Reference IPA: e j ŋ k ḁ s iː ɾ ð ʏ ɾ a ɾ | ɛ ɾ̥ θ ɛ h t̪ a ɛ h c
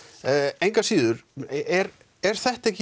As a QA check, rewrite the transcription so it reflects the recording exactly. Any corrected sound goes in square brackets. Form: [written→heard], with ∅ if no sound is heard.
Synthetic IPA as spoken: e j ŋ k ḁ s iː [ɾ→∅] ð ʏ ɾ [a→ɛ] ɾ | ɛ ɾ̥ θ ɛ h t̪ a ɛ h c